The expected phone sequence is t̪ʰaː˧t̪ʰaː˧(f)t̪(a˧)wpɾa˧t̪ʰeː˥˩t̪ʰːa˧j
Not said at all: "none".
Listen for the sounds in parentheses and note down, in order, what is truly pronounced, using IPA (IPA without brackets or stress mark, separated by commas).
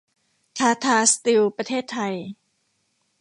s, i˧